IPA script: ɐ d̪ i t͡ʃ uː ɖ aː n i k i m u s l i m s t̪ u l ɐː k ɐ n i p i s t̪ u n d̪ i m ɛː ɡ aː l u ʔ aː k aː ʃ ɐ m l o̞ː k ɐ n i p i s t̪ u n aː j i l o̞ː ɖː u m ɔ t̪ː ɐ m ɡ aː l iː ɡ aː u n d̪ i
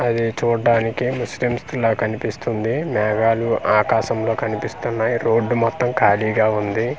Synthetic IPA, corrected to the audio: ɐ d̪ i t͡ʃ uː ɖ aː n i k i m u s l i m s t̪ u l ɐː k ɐ n i p i s t̪ u n d̪ i m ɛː ɡ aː l u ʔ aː k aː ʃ ɐ m l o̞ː k ɐ n i p i s t̪ u nː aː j i ɾ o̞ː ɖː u m ɔ t̪ː ɐ m k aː l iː ɡ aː u n d̪ i